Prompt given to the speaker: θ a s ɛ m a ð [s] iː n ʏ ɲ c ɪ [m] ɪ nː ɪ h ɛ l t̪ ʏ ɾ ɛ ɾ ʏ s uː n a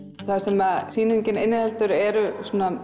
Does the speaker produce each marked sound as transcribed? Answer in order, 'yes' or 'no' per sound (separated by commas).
yes, no